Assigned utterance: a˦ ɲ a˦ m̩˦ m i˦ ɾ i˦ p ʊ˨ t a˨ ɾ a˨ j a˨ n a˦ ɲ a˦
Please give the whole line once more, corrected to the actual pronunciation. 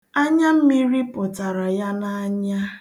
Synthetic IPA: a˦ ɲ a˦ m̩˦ m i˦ ɾ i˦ p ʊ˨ t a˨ ɾ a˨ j a˦ n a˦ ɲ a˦